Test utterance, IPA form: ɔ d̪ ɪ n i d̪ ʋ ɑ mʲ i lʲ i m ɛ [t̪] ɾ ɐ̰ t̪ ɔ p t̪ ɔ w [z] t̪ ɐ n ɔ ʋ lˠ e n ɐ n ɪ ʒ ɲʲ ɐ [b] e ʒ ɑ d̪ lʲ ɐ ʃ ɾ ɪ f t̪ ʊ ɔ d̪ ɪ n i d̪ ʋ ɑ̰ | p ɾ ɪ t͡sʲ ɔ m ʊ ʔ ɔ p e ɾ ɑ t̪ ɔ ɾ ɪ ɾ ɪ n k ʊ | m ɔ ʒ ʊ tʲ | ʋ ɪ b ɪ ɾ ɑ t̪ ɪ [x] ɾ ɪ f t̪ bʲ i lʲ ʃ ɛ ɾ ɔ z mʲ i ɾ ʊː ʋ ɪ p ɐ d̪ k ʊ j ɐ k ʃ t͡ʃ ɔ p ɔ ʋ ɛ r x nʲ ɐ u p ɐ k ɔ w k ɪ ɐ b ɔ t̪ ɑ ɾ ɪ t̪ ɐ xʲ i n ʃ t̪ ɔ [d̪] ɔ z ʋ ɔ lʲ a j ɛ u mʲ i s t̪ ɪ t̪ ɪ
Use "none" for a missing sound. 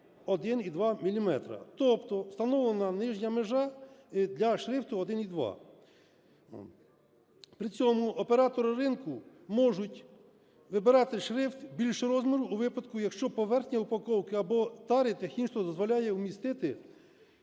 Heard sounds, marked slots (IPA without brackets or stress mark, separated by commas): t̪, s, m, ʃ, d̪